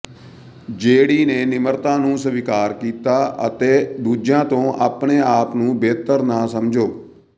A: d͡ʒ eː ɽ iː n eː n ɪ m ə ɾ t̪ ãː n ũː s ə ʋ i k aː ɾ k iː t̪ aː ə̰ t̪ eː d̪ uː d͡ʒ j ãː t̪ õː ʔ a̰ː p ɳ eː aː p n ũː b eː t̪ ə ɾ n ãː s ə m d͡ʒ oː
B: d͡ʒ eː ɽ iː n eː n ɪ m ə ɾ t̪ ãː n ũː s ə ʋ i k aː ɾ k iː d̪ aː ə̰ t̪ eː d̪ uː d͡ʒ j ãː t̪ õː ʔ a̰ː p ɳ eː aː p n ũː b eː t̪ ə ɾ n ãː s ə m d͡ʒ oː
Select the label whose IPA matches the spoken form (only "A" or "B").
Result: A